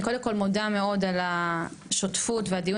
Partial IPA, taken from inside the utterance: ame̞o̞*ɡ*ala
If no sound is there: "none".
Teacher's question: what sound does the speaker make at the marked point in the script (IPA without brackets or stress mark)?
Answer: d